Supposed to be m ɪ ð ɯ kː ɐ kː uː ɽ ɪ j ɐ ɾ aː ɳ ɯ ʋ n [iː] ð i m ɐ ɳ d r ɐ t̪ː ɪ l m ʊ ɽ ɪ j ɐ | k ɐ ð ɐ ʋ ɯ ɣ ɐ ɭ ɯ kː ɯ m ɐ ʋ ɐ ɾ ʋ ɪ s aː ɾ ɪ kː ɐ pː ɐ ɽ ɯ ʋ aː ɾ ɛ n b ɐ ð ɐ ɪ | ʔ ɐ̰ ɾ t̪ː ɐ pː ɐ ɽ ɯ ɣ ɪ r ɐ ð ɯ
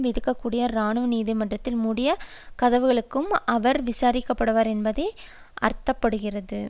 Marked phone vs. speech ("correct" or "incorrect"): correct